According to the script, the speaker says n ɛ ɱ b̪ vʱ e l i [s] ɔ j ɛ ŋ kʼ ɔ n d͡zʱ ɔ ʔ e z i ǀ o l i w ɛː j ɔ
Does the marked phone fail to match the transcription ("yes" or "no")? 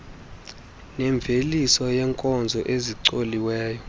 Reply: no